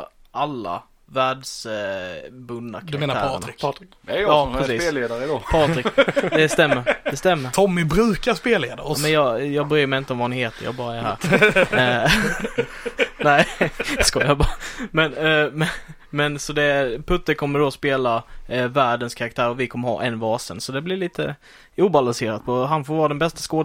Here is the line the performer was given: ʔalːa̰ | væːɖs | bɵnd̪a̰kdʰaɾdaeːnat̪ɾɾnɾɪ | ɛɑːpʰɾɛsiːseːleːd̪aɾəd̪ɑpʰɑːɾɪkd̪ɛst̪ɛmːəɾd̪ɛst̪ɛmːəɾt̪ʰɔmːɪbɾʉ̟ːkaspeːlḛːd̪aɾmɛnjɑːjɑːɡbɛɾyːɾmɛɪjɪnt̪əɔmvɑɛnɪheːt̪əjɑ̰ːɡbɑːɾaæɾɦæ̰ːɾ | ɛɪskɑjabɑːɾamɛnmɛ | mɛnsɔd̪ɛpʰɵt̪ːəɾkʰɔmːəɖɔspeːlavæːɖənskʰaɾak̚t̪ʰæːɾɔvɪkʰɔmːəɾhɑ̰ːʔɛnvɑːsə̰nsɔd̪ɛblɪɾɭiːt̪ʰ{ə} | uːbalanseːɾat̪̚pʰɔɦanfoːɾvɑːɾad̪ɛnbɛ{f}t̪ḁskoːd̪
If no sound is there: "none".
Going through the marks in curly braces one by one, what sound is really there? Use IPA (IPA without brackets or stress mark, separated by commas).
ə, s